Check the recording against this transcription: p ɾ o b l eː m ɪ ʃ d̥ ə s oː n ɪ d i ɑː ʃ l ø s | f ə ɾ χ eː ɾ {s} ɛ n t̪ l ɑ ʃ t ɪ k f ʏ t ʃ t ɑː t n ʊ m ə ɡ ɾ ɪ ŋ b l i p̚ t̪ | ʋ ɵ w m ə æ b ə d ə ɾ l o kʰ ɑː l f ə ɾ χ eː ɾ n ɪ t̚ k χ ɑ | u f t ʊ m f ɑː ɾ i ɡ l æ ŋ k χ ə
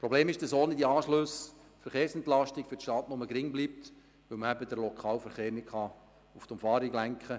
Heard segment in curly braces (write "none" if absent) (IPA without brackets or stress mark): s